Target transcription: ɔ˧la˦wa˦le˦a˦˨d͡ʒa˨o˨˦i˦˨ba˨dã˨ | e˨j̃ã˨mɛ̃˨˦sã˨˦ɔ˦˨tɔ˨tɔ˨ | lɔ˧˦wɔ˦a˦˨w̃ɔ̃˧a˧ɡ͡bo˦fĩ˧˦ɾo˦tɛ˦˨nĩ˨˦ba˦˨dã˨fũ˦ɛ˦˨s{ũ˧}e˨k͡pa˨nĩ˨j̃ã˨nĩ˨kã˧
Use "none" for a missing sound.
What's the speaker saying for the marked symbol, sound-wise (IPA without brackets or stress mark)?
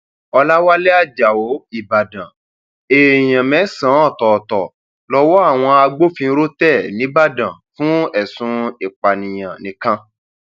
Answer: ũ˧